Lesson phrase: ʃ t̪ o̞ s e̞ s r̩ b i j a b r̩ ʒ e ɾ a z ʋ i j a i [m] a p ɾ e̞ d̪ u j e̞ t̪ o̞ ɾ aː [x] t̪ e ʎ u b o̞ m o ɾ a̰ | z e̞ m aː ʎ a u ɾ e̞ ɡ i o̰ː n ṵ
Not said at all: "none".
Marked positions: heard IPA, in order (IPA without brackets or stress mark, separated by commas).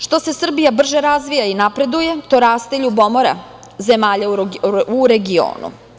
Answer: n, s